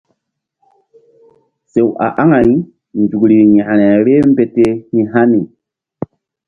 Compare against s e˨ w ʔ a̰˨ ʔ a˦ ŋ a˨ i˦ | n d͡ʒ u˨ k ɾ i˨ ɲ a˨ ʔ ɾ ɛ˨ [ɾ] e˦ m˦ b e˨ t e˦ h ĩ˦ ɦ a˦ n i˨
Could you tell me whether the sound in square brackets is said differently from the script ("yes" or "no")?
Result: no